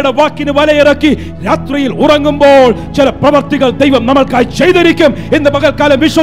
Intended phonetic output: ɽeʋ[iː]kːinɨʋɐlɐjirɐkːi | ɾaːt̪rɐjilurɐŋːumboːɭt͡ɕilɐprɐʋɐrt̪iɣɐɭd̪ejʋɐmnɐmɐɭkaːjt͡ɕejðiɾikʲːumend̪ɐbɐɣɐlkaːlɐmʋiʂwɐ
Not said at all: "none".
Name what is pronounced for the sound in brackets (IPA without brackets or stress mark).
aː